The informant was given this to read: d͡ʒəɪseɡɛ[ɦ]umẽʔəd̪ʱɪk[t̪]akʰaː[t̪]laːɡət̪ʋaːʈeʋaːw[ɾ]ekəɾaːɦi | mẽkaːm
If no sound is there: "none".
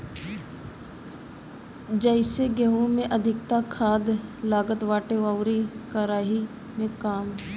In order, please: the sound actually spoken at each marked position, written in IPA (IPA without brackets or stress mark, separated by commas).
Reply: ɦ, t̪, d̪, ɾ